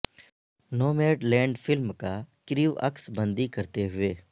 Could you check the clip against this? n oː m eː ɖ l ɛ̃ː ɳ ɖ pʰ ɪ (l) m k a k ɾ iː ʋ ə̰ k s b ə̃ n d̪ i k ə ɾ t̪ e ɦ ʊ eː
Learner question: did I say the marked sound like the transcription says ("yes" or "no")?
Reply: yes